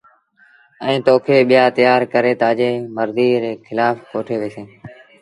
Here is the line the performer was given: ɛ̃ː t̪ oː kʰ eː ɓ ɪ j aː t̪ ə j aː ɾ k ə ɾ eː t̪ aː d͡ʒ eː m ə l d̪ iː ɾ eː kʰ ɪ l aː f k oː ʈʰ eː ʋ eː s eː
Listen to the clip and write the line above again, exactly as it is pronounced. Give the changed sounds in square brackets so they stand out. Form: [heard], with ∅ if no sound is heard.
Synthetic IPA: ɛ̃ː t̪ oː kʰ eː ɓ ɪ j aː t̪ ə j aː ɾ k ə ɾ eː t̪ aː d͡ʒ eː m ə [ɾ] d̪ iː ɾ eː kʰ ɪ l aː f k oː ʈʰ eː ʋ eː s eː